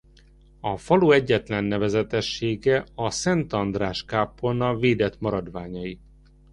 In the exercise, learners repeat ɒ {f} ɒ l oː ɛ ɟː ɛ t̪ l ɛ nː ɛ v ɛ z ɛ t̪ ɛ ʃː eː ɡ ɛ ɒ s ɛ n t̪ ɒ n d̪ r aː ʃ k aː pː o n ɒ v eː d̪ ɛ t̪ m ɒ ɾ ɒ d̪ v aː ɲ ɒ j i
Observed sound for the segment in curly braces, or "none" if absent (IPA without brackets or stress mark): f